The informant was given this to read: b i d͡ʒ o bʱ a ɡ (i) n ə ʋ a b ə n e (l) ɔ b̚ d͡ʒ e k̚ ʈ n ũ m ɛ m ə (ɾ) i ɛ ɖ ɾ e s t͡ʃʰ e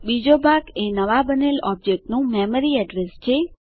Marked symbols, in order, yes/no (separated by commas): no, yes, yes